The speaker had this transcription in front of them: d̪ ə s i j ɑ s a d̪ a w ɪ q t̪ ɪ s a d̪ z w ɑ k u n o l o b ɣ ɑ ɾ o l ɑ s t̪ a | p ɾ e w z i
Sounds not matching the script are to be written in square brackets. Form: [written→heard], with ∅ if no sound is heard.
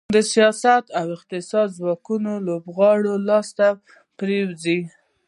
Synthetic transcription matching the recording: d̪ ə s i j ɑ s a [d̪→t̪] a w ɪ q t̪ ɪ s [a→ɑ] d̪ z w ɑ k u n o l o b ɣ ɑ [ɾ→ɽ] o l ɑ s t̪ a | p ɾ e w z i